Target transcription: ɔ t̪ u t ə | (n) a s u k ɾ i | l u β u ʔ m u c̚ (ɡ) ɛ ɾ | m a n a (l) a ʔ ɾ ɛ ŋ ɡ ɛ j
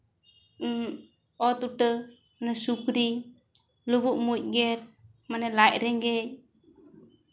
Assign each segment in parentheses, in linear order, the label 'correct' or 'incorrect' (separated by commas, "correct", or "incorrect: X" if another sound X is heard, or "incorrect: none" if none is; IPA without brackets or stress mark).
correct, correct, correct